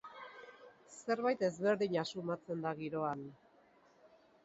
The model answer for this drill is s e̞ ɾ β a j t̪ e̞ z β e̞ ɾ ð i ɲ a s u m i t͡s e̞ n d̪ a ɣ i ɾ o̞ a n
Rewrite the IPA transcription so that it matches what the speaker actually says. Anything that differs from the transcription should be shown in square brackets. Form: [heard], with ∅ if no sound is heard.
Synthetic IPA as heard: s e̞ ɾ β a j t̪ e̞ z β e̞ ɾ ð i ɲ a s u m [a] t͡s e̞ n d̪ a ɣ i ɾ o̞ a n

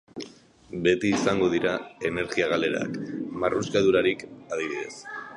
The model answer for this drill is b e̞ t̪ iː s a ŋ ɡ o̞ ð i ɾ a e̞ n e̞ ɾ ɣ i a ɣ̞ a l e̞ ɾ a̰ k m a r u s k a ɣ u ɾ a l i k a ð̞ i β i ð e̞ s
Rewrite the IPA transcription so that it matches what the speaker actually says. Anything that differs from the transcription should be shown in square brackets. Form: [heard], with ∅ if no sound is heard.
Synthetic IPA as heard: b e̞ t̪ iː s a ŋ ɡ o̞ ð i ɾ a e̞ n e̞ ɾ ɣ i a ɣ̞ a l e̞ ɾ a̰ k m a r u s k a [ð] u ɾ a [ɾ] i k a ð̞ i β i ð e̞ s

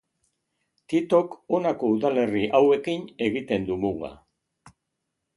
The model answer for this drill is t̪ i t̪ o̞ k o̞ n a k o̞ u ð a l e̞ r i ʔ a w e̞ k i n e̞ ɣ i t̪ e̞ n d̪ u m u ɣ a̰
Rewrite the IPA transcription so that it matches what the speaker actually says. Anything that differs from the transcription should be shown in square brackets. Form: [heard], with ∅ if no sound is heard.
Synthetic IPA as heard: t̪ i t̪ o̞ k o̞ n a k o̞ u ð a l e̞ r i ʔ a w e̞ k i n e̞ ɣ i t̪ e̞ n d̪ u m u ɣ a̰

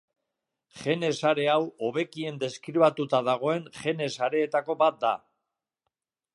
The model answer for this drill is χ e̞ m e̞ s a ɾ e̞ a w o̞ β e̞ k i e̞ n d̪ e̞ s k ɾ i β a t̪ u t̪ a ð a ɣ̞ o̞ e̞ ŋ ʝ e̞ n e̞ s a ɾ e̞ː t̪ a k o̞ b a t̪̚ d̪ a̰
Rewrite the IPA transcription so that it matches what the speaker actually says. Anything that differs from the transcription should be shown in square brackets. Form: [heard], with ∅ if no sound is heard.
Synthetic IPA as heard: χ e̞ [n] e̞ s a ɾ e̞ a w o̞ β e̞ k i e̞ n d̪ e̞ s k ɾ i β a t̪ u t̪ a ð a ɣ̞ o̞ e̞ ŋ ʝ e̞ n e̞ s a ɾ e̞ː t̪ a k o̞ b a t̪̚ d̪ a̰

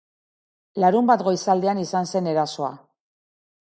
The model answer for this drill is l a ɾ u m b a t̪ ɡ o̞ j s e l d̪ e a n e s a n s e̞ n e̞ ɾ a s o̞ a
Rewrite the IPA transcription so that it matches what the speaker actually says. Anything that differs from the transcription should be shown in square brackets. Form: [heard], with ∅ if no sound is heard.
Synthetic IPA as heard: l a ɾ u m b a t̪ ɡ o̞ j s [a] l d̪ e a n [i] s a n s e̞ n e̞ ɾ a s o̞ a

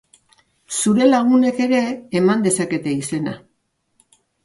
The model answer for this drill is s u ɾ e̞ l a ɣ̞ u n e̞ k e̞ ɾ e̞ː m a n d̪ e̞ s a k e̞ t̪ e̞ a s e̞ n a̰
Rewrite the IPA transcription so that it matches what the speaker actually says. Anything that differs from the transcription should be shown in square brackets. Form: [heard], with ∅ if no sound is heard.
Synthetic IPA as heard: s u ɾ e̞ l a ɣ̞ u n e̞ k e̞ ɾ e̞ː m a n d̪ e̞ s a k e̞ t̪ e̞ [i] s e̞ n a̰

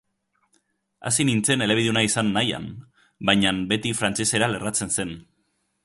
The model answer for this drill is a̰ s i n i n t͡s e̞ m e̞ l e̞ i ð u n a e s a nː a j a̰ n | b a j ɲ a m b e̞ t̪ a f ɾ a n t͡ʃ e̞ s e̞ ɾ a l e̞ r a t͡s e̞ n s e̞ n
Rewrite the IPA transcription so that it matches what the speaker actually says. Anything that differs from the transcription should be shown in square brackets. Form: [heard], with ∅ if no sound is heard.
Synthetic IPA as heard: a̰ s i n i n t͡s e̞ [n] e̞ l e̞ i ð u n a [i] s a nː a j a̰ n | b a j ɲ a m b e̞ t̪ [i] f ɾ a n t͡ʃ e̞ s e̞ ɾ a l e̞ r a t͡s e̞ n s e̞ n

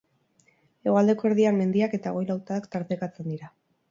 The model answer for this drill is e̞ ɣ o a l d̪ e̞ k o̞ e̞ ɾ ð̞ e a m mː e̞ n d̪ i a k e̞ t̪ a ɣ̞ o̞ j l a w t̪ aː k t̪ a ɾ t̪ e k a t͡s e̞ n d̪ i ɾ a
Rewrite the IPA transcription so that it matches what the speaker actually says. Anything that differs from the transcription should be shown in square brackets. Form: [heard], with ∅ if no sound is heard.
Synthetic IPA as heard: e̞ ɣ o a l d̪ e̞ k o̞ e̞ ɾ ð̞ [i] a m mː e̞ n d̪ i a k e̞ t̪ a ɣ̞ o̞ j l a w t̪ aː k t̪ a ɾ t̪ e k a t͡s e̞ n d̪ i ɾ a

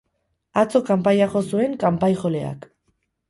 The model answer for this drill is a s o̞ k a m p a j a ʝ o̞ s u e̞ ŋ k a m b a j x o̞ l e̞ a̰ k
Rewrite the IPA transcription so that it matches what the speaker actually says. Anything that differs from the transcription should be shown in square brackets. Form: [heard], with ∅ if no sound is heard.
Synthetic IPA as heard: a [t͡s] o̞ k a m p a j a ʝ o̞ s u e̞ ŋ k a m [p] a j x o̞ l e̞ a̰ k

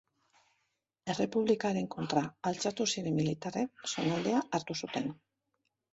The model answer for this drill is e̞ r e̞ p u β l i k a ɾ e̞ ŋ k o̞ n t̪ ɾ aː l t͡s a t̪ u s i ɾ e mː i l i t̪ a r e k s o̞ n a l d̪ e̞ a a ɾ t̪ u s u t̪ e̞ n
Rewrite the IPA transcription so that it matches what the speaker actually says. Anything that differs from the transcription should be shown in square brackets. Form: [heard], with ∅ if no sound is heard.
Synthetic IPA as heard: e̞ r e̞ p u β l i k a ɾ e̞ ŋ k o̞ n t̪ ɾ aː l t͡s a t̪ u s i ɾ e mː i l i t̪ a r e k s o̞ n a l d̪ e̞ a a ɾ t̪ u s u t̪ e̞ n

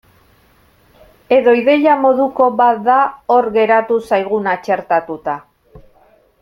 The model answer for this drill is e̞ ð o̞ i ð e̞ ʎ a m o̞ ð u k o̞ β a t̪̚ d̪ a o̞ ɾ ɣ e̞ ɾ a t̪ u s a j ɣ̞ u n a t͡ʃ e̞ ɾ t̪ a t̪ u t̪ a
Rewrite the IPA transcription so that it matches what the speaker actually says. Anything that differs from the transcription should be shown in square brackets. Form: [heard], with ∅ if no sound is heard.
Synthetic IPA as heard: e̞ ð o̞ i ð e̞ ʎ a m o̞ ð u k o̞ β a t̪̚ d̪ a o̞ ɾ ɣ e̞ ɾ a t̪ u s a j ɣ̞ u n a t͡ʃ e̞ ɾ t̪ a t̪ u t̪ a

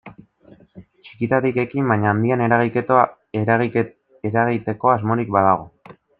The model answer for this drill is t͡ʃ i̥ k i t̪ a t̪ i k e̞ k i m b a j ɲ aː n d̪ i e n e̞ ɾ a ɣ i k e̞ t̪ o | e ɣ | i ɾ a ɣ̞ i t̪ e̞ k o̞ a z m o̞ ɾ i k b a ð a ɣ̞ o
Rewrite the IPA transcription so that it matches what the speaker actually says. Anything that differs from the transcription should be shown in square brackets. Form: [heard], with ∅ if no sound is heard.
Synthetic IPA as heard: t͡ʃ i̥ k i t̪ a t̪ i k e̞ k i m b a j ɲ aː n d̪ i [a] n e̞ ɾ a ɣ i k e̞ t̪ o | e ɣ | [e] ɾ a ɣ̞ i t̪ e̞ k o̞ a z m o̞ ɾ i k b a ð a ɣ̞ o

